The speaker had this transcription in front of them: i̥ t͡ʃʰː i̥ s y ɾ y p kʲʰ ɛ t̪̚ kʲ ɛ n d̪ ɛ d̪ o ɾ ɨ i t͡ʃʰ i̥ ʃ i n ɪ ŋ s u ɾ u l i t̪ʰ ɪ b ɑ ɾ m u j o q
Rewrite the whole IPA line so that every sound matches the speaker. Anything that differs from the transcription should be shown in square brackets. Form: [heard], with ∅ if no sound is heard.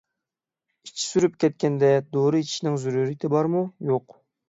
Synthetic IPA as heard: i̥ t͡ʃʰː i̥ s y ɾ y p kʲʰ ɛ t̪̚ kʲ ɛ n d̪ ɛ d̪ o ɾ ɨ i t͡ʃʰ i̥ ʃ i n ɪ ŋ [z] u ɾ u [ɾ] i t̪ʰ ɪ b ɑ ɾ m u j o q